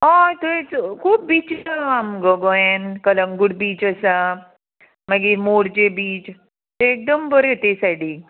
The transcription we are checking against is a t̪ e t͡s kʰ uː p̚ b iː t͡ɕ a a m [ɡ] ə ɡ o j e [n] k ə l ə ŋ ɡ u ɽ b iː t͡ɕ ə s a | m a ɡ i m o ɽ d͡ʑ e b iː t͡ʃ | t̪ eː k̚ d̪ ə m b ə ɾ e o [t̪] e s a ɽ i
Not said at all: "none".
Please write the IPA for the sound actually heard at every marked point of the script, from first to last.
ɡ, n, t̪

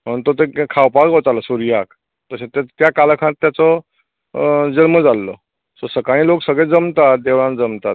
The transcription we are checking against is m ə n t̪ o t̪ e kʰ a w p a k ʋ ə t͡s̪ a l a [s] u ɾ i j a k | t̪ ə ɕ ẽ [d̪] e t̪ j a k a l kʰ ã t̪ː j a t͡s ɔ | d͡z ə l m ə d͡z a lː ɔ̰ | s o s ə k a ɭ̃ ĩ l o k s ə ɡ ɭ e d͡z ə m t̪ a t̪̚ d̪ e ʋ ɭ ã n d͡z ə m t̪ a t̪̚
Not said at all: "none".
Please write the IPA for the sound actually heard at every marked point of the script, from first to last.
s, t̪

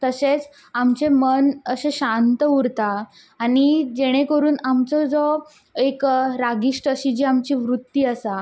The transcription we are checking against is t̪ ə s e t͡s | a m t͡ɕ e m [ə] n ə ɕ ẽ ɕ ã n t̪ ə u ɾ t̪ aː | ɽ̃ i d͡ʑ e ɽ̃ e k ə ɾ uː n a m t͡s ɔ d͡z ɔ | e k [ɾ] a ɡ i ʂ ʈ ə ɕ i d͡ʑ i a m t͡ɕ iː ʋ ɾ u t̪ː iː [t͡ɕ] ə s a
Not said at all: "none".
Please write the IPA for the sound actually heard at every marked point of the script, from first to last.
ə, ɾ, none

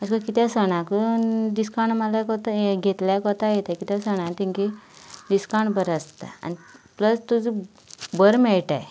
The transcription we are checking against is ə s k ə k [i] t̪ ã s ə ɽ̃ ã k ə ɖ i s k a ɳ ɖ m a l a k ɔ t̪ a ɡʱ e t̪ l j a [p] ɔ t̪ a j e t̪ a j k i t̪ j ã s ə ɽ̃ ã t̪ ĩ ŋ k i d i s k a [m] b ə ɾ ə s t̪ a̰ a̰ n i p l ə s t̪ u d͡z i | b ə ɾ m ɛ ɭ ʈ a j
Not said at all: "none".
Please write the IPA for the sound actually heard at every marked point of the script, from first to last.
i, k, ɳ

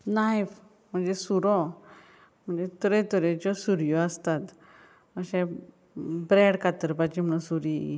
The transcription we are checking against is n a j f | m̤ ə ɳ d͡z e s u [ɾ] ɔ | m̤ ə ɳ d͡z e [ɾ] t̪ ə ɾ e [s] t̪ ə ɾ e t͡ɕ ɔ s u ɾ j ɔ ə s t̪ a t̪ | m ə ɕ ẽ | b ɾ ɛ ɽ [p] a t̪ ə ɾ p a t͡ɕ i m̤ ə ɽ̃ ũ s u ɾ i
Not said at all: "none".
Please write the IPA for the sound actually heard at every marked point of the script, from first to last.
ɾ, none, none, k

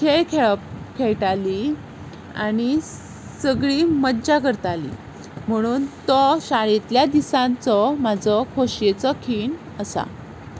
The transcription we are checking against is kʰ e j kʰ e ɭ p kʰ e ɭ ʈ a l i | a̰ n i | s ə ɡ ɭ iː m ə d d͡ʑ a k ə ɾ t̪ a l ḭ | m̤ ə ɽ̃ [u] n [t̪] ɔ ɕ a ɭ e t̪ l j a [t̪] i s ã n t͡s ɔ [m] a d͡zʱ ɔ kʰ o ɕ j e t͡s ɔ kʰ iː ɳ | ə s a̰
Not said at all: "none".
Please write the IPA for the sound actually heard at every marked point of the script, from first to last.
uː, t̪, d̪, m

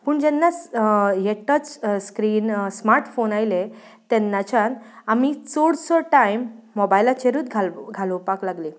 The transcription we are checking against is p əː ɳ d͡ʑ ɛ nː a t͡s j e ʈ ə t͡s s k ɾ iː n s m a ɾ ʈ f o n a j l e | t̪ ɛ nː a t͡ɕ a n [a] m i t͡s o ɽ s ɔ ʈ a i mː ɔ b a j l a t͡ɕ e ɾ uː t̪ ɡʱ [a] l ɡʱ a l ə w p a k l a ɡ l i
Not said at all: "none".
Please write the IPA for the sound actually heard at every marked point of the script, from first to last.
a, a

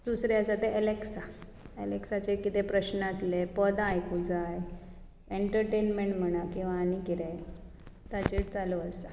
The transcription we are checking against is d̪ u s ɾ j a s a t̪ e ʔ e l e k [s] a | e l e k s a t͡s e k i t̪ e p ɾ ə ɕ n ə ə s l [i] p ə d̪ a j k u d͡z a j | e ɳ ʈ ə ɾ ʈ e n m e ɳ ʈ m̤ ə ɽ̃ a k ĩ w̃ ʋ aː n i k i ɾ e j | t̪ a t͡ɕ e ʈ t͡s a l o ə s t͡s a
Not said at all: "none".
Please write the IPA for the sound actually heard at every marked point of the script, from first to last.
s, e

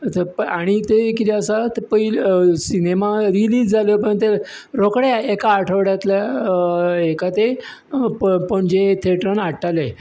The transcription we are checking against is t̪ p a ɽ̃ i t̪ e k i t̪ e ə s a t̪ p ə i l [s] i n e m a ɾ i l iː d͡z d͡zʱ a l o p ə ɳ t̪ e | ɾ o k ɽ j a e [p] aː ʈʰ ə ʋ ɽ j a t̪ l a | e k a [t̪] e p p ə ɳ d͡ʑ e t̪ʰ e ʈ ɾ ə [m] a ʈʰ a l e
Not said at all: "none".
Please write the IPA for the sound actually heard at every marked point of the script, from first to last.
s, k, t̪, n

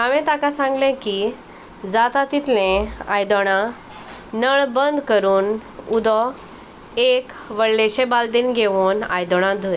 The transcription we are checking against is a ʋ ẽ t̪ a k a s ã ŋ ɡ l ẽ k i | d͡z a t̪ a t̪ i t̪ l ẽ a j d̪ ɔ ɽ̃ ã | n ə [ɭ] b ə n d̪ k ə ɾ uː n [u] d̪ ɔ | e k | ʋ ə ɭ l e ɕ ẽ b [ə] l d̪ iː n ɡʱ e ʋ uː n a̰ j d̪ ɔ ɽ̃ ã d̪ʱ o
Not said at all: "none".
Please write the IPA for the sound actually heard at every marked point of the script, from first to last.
ɭ, u, a

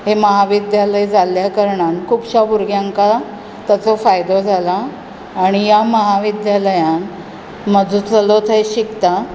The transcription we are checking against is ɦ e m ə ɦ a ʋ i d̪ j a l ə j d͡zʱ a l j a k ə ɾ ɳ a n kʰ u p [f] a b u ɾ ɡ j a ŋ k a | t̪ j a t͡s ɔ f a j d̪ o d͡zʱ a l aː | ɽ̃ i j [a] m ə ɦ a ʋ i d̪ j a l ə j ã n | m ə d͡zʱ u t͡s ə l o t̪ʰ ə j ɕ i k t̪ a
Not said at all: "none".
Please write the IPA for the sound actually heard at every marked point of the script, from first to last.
ɕ, a

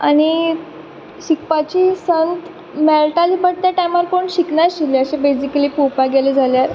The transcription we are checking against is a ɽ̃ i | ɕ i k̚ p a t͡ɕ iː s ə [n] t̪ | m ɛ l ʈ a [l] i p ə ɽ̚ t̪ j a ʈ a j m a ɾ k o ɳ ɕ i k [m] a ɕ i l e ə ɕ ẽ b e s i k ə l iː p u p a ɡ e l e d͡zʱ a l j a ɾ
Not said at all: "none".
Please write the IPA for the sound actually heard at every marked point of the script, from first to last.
n, l, n

